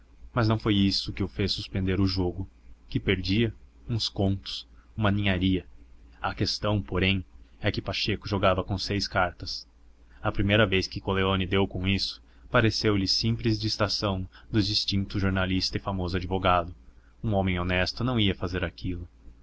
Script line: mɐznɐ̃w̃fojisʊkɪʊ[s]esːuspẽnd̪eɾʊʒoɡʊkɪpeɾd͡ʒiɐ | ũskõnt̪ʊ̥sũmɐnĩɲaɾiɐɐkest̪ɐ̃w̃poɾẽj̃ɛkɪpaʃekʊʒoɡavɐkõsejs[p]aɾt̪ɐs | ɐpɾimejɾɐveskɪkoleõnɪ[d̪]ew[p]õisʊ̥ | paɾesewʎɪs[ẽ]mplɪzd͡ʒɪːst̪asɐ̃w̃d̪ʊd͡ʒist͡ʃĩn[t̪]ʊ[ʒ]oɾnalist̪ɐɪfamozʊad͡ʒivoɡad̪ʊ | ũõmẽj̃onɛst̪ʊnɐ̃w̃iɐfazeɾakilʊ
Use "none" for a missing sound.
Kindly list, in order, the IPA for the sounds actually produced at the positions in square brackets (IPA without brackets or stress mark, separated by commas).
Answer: f, k, d̪, k, ĩ, t̪, ʒ